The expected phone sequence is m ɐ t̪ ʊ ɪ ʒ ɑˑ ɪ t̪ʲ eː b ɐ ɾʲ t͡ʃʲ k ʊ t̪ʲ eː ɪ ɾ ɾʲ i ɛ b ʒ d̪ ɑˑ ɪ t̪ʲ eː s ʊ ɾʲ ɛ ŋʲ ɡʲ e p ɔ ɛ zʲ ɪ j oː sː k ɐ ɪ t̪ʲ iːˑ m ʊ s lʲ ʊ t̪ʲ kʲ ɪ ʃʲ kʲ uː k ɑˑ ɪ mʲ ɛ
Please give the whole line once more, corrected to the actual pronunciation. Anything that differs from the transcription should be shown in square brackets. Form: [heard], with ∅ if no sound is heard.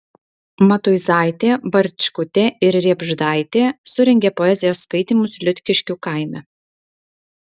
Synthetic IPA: m ɐ t̪ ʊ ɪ [z] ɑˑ ɪ t̪ʲ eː b ɐ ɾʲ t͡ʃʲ k ʊ t̪ʲ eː ɪ ɾ ɾʲ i ɛ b ʒ d̪ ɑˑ ɪ t̪ʲ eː s ʊ ɾʲ ɛ ŋʲ ɡʲ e p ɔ ɛ zʲ ɪ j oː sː k ɐ ɪ t̪ʲ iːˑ m ʊ s lʲ ʊ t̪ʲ kʲ ɪ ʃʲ kʲ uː k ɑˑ ɪ mʲ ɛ